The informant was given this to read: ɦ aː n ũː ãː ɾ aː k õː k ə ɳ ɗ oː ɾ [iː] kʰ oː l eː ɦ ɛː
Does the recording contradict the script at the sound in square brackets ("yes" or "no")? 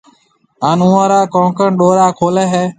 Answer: yes